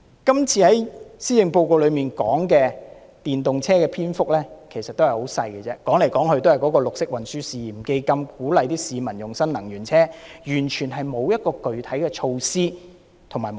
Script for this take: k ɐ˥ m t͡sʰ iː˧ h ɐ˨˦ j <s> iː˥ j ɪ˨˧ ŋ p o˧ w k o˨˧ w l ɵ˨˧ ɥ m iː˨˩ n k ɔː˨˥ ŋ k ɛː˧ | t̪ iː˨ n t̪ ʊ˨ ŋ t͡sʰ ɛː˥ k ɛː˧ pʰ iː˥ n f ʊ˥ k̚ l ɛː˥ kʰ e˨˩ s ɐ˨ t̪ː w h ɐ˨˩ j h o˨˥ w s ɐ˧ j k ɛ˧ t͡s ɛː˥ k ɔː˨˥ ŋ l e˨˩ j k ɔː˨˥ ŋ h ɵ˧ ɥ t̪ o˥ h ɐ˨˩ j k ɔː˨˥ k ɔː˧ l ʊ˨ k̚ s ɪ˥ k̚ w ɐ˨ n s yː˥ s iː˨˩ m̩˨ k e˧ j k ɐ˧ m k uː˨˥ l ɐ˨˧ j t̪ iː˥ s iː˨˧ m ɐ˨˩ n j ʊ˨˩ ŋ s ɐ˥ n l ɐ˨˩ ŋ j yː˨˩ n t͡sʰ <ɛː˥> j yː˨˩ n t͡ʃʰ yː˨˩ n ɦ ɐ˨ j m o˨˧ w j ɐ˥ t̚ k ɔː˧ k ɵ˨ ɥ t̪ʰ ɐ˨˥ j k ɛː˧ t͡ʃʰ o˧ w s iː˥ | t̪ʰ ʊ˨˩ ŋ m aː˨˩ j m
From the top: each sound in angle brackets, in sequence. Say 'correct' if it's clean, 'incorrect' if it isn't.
correct, correct

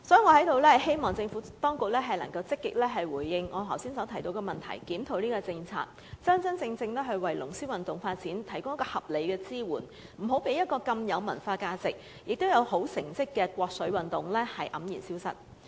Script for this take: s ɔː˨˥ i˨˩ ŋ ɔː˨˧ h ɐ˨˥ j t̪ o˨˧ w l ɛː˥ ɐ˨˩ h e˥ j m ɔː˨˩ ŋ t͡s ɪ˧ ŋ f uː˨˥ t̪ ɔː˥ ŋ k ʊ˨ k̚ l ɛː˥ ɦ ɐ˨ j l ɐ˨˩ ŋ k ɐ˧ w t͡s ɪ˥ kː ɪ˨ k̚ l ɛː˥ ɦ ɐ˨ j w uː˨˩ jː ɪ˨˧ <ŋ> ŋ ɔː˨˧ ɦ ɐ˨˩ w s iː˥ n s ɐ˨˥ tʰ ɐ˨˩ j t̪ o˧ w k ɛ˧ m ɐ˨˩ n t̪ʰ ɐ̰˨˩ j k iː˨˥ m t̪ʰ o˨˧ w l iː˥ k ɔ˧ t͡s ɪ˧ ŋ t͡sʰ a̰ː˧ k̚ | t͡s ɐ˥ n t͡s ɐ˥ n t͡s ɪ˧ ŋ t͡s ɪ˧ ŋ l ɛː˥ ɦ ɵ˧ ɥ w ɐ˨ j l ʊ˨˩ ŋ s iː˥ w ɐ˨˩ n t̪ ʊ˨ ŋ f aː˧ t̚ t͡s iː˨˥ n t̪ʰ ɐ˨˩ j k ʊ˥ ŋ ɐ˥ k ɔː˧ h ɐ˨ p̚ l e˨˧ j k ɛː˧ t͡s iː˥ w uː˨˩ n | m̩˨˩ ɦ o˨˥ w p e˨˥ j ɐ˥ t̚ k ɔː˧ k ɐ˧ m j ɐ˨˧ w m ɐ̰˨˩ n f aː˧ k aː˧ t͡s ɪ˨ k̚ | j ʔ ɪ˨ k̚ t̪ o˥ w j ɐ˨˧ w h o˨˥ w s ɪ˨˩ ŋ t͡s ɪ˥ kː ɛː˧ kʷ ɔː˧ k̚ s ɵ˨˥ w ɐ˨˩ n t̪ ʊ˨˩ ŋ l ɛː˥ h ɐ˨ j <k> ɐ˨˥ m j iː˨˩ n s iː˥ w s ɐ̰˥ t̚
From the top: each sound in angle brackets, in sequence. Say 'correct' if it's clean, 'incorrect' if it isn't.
correct, incorrect: ʔ

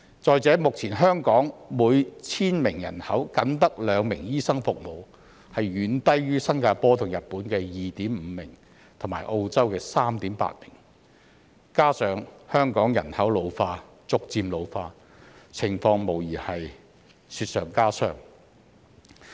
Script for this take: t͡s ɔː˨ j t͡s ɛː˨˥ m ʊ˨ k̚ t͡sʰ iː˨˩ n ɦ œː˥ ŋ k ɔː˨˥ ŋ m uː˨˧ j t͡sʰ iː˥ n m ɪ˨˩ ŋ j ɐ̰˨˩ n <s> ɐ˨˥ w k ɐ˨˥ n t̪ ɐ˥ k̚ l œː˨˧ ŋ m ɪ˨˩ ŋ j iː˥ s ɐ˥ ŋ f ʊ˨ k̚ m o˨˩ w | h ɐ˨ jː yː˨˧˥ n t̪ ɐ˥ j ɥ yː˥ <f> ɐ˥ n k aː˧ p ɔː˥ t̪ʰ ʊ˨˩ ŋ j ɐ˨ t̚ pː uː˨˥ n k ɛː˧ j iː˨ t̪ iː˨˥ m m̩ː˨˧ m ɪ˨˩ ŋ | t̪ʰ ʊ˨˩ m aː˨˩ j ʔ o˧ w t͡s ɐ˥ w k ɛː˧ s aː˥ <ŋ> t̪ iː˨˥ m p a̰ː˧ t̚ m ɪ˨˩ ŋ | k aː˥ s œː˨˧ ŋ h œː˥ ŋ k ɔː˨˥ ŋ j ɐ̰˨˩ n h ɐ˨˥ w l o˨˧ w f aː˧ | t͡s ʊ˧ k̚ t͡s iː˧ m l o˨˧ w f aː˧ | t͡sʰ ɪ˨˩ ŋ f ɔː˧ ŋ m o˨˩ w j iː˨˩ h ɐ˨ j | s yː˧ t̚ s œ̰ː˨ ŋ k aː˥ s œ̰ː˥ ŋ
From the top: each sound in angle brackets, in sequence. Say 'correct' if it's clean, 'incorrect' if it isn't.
incorrect: h, incorrect: s, incorrect: m

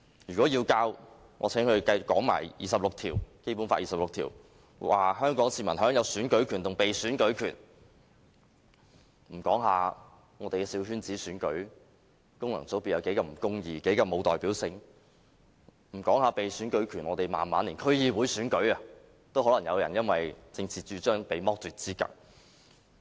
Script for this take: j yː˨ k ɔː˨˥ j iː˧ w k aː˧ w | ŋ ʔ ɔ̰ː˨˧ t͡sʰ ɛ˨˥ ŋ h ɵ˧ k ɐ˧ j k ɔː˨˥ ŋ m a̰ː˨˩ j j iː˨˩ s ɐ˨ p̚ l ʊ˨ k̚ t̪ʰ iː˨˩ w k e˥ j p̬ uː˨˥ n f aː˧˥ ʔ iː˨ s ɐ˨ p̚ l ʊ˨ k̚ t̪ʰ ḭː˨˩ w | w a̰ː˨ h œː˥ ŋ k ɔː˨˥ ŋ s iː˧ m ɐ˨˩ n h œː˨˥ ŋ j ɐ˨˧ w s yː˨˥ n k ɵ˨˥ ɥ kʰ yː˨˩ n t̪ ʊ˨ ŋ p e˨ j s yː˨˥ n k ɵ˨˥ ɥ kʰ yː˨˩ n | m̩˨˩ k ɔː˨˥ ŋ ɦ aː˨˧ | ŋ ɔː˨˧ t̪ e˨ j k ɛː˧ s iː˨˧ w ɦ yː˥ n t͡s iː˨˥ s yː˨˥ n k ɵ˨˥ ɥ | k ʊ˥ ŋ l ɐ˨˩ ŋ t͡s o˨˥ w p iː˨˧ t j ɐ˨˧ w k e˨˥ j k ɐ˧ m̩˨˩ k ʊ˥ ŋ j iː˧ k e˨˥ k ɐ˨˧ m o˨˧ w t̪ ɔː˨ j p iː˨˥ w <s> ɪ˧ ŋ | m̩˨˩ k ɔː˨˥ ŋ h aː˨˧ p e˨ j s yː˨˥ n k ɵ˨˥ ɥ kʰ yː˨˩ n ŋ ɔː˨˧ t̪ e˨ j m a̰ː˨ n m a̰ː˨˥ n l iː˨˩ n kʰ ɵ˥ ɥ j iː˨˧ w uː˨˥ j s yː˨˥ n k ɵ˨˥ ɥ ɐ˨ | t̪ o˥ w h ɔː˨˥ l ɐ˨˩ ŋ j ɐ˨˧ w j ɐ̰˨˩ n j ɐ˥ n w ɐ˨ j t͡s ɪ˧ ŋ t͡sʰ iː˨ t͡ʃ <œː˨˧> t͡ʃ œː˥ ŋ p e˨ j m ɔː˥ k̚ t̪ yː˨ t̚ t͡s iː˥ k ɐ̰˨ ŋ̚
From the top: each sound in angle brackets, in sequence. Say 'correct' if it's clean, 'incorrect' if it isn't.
correct, incorrect: yː˨˧

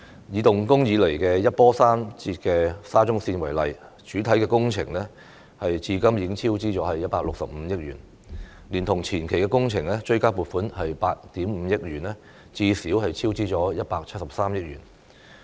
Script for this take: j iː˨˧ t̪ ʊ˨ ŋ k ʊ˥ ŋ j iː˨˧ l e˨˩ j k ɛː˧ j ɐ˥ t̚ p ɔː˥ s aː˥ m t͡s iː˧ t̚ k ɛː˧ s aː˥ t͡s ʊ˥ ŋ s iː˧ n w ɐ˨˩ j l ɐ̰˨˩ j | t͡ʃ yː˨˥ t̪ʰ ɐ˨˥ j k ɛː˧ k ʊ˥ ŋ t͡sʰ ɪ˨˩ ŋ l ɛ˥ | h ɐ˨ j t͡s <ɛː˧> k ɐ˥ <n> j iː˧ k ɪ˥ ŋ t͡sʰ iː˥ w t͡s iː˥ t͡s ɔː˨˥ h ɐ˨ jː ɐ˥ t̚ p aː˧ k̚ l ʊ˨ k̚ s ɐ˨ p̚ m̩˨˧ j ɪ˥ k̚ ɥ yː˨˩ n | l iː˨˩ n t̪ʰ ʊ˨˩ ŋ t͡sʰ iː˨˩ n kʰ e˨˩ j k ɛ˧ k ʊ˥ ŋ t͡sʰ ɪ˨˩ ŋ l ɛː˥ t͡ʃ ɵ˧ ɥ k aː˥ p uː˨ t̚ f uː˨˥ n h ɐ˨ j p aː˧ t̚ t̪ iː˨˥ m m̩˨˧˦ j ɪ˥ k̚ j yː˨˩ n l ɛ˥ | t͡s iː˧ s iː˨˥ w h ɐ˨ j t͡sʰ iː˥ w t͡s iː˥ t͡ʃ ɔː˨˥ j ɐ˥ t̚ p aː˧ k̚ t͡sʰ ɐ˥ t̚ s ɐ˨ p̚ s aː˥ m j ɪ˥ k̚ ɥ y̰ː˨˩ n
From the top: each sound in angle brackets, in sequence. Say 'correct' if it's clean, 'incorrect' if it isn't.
incorrect: iː˧, incorrect: m

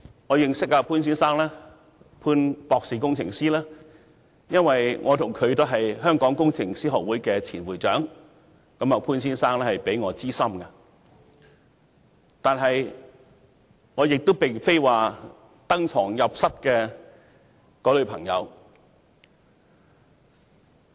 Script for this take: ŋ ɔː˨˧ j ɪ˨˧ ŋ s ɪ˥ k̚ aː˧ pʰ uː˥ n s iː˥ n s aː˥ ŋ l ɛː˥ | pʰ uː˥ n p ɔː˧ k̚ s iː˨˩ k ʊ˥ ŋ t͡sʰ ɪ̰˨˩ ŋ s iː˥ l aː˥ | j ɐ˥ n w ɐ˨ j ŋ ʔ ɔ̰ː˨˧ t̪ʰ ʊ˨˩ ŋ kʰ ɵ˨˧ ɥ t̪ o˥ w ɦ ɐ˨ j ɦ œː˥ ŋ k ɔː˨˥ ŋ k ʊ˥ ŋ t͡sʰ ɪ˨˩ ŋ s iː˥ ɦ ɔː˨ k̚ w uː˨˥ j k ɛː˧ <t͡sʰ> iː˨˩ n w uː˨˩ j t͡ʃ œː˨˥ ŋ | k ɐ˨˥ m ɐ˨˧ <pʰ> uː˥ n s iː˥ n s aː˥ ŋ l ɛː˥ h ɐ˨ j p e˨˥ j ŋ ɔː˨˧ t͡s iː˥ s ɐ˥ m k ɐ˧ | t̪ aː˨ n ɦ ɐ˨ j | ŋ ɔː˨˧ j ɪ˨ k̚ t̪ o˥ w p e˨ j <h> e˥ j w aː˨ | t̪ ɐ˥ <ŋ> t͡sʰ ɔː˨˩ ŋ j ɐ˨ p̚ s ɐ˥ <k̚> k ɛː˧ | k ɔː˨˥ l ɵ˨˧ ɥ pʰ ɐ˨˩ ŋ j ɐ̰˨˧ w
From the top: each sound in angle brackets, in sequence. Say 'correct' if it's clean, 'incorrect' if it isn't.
correct, correct, incorrect: f, correct, incorrect: t̚

